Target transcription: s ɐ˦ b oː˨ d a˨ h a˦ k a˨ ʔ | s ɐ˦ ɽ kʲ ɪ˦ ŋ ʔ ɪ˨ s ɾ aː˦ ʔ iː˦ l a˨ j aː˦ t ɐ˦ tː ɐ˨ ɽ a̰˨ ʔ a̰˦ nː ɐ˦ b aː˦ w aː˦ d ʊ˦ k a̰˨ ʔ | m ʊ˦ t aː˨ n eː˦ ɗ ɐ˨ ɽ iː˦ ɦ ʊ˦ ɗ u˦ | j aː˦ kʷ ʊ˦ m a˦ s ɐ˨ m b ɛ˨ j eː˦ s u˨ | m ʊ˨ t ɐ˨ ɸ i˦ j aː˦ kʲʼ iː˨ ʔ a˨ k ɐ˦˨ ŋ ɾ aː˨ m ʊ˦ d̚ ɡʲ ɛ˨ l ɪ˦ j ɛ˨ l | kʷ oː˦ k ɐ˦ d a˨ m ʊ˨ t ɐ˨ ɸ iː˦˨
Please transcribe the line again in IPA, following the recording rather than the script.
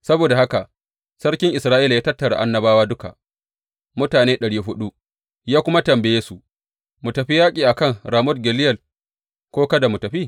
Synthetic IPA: s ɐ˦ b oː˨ d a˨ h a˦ k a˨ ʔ | s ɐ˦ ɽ kʲ ɪ˦ ŋ ʔ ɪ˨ s ɾ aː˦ ʔ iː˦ l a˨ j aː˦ t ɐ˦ tː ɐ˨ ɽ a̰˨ ʔ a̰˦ nː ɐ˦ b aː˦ w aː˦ d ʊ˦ k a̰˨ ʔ | m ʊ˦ t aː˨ n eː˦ ɗ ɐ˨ ɽ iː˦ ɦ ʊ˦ ɗ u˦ | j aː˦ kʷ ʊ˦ m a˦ t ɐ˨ m b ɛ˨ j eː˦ s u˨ | m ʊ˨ t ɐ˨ ɸ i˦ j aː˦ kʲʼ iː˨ ʔ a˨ k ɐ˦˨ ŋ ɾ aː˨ m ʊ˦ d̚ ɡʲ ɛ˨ l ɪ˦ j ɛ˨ l | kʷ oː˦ k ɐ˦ d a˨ m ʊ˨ t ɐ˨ ɸ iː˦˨